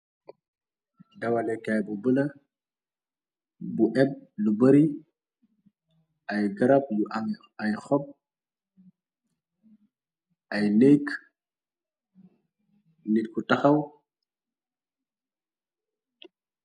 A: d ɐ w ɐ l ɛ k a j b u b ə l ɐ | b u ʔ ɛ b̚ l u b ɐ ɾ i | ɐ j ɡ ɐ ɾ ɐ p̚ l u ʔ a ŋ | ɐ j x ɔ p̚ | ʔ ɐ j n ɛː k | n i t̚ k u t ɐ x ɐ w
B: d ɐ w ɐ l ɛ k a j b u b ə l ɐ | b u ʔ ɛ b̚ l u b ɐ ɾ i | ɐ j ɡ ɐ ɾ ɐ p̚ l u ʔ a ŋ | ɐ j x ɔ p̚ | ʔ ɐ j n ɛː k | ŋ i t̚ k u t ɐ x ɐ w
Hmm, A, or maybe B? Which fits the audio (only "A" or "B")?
A